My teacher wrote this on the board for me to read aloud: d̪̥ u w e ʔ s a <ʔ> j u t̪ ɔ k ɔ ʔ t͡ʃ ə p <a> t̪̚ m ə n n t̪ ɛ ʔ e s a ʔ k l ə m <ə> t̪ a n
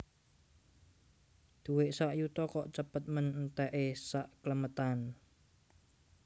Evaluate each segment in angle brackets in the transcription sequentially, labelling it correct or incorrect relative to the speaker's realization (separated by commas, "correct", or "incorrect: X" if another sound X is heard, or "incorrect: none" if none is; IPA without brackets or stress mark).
correct, incorrect: ə, correct